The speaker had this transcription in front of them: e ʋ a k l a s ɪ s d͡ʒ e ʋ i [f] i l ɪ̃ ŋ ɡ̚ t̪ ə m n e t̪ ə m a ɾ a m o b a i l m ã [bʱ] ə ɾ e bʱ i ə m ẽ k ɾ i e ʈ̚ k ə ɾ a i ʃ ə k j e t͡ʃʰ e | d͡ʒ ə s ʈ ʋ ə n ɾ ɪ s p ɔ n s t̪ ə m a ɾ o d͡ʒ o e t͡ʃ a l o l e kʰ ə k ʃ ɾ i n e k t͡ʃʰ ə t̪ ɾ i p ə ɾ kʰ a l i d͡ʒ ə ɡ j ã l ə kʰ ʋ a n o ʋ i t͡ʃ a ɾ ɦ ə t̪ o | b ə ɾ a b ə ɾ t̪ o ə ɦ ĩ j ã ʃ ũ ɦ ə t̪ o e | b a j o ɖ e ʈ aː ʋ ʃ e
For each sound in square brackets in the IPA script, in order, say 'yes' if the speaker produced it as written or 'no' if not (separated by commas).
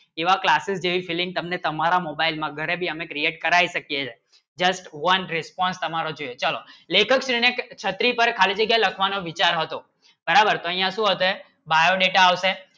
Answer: yes, no